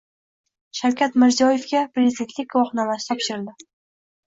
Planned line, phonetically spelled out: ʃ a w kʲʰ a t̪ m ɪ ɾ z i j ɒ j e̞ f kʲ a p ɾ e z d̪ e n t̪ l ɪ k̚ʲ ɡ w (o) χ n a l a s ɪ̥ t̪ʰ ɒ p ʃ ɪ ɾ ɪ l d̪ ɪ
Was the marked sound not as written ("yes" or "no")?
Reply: yes